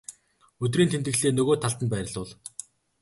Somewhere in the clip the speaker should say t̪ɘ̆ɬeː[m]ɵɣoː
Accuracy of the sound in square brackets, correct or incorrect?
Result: incorrect: n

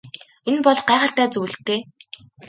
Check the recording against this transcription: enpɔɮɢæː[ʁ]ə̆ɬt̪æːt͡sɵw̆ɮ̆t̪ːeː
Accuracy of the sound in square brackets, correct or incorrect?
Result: correct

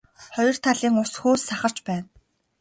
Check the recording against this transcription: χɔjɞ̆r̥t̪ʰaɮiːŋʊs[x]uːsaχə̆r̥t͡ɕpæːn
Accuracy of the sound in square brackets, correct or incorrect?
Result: correct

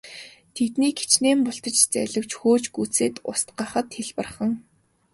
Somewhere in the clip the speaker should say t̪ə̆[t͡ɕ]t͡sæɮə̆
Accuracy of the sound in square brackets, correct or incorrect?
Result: correct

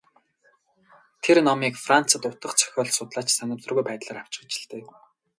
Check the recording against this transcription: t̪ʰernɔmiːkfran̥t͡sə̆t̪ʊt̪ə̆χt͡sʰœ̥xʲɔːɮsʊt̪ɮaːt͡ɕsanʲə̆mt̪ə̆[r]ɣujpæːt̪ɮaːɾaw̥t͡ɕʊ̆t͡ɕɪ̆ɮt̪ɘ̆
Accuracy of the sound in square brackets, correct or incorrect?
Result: correct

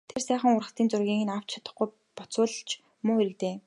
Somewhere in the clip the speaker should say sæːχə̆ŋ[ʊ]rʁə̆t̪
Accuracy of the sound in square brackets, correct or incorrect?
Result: correct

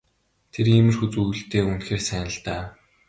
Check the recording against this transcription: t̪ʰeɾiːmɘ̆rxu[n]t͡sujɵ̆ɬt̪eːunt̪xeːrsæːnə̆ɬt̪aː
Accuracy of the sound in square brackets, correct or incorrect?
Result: incorrect: none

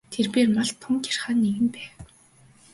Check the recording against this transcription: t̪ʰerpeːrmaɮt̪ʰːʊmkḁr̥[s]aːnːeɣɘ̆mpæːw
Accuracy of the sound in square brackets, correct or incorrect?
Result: incorrect: χ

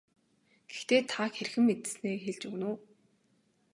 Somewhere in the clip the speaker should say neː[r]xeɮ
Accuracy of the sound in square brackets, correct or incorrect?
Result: incorrect: none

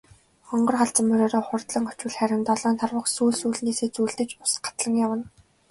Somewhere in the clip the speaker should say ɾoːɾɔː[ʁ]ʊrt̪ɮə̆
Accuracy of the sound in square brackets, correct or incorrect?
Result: incorrect: χ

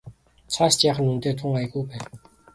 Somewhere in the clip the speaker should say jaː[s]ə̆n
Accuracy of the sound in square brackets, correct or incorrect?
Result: incorrect: χ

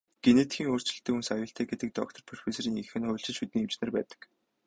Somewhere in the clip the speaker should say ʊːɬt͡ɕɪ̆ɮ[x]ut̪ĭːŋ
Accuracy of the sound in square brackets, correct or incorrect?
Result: incorrect: ʃ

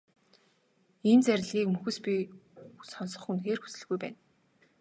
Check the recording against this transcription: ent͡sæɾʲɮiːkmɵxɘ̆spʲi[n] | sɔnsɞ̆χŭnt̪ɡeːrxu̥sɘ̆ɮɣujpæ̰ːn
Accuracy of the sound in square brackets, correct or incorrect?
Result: incorrect: none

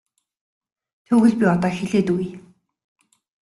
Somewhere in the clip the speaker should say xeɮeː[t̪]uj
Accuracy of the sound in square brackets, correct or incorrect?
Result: correct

